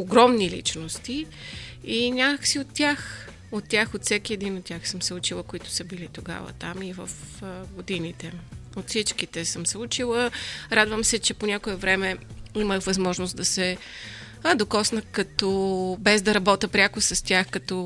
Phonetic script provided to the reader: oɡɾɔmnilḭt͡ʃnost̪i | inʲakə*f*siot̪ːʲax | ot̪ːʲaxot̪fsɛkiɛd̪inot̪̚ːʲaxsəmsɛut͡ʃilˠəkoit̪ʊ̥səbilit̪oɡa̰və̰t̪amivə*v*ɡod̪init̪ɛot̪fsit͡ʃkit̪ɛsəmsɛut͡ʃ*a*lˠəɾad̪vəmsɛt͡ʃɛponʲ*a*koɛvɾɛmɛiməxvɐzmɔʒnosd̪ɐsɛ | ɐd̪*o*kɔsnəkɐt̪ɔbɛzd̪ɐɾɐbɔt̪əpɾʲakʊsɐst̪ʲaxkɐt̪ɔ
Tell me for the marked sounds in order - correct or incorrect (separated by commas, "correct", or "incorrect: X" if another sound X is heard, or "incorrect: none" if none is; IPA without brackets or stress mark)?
incorrect: x, incorrect: f, incorrect: i, correct, correct